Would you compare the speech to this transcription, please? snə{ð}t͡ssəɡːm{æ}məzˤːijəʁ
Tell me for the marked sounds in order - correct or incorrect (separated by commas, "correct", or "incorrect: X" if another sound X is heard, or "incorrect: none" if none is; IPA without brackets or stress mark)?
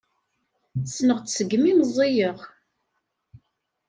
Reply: incorrect: ʁ, incorrect: i